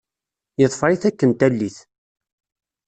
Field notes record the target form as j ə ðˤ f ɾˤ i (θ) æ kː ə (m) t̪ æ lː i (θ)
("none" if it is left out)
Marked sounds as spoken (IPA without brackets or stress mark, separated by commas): θ, n, θ